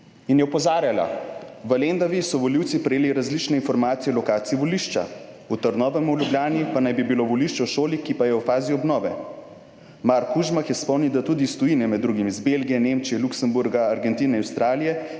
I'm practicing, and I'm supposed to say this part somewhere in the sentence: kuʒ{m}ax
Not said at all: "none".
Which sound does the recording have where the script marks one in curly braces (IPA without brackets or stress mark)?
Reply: m